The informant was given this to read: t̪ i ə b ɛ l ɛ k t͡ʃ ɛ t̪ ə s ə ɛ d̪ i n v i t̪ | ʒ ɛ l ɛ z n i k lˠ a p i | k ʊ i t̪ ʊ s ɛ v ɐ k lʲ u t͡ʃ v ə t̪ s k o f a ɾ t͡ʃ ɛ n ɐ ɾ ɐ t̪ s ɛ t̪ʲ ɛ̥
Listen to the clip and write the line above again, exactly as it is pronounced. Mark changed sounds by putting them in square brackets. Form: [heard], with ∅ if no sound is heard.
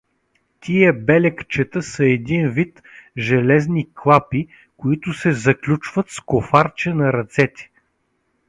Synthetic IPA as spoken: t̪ i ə b ɛ l ɛ k t͡ʃ ɛ t̪ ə s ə ɛ d̪ i n v i t̪ | ʒ ɛ l ɛ z n i k lˠ a p i | k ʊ i t̪ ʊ s ɛ [z] ɐ k lʲ u t͡ʃ v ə t̪ s k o f a ɾ t͡ʃ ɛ n ɐ ɾ ɐ t̪ s ɛ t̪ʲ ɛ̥